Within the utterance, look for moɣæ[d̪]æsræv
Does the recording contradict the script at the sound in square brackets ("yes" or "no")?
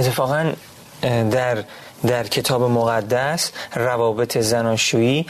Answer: yes